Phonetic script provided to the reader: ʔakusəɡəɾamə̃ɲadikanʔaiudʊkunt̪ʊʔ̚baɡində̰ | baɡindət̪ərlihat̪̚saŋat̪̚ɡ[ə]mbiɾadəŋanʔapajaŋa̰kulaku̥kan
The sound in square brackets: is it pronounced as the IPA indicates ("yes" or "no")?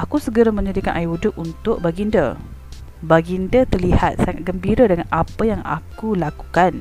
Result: yes